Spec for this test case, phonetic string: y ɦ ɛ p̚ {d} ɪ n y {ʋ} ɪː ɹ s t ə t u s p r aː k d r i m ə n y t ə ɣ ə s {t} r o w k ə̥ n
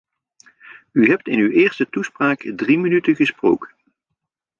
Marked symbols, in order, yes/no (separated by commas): no, no, no